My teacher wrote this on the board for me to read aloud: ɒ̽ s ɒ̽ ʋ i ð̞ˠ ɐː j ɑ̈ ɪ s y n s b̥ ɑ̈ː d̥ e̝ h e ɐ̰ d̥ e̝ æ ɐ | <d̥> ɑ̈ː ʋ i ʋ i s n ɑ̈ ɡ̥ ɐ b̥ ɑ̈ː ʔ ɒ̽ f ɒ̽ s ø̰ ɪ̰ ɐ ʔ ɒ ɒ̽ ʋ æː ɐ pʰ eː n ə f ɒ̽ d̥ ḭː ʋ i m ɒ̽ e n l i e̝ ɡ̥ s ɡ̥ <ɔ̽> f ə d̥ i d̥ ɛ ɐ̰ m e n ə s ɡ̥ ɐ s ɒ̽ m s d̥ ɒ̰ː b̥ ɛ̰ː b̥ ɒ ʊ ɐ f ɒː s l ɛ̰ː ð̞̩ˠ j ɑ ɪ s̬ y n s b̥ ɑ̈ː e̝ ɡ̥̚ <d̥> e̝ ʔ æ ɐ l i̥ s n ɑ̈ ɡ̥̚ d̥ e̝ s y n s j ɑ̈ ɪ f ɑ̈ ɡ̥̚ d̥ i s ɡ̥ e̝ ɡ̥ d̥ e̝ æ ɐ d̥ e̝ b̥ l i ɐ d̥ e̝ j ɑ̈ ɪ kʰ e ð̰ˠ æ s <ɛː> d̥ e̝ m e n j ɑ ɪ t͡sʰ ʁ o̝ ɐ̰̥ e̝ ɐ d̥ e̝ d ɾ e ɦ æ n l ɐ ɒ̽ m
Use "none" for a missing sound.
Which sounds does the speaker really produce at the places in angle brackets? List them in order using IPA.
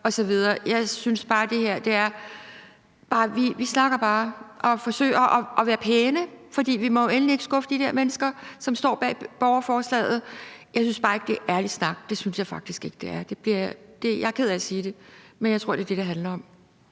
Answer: b̥, ɔ̽, d̥, iː

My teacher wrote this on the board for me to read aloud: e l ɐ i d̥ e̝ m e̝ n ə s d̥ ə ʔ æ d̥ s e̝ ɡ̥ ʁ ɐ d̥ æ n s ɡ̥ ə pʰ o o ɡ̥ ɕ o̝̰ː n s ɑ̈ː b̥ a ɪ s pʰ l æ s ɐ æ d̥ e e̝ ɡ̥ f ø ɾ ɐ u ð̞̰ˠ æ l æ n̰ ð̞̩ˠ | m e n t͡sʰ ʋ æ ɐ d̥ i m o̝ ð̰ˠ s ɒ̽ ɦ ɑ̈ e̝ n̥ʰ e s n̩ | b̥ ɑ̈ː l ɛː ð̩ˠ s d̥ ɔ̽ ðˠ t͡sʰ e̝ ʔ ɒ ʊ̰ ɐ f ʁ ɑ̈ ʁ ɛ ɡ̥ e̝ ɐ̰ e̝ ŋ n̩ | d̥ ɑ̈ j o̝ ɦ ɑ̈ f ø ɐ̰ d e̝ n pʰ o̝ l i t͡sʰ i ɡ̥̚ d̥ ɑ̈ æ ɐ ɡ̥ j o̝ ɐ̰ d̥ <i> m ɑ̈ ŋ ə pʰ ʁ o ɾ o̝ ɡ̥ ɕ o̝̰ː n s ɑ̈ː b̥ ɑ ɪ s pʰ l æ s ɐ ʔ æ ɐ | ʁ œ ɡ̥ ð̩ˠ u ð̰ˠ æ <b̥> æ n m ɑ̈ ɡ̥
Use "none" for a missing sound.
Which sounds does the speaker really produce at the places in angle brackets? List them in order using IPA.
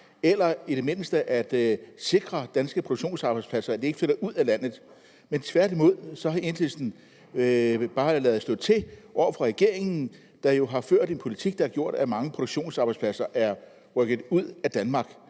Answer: æ, d̥

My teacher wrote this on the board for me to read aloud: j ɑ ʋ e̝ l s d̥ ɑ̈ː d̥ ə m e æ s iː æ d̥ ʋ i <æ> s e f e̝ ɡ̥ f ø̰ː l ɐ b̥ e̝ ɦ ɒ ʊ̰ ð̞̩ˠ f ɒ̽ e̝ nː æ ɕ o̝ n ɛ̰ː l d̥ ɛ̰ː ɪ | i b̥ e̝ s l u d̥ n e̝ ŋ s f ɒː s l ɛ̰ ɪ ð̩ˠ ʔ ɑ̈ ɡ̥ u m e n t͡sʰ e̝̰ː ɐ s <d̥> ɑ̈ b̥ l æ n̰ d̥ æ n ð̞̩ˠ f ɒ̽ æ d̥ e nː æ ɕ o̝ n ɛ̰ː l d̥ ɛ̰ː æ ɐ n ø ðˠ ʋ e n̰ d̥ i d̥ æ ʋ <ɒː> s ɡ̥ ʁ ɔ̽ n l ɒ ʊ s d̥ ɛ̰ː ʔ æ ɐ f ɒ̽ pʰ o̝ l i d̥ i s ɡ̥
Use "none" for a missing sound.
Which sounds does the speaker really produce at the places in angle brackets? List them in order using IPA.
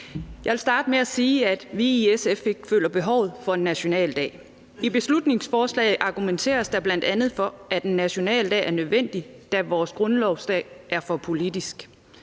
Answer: e, d̥, ɒː

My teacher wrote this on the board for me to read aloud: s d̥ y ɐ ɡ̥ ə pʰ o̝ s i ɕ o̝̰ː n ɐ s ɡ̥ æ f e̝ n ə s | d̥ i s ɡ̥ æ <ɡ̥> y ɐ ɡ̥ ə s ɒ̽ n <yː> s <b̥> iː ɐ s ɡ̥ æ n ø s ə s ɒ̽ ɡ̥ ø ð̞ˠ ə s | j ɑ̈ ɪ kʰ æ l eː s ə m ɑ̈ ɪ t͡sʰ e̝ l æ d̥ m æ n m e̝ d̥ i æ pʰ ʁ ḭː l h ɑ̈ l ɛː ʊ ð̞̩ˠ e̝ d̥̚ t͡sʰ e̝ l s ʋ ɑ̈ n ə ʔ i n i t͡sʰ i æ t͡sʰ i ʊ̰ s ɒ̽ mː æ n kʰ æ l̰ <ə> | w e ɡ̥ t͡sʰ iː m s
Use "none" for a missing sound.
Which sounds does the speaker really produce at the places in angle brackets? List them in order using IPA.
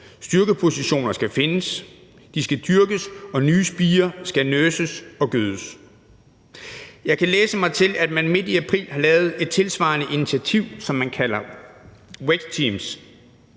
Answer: d̥, yː, b̥, ɐ

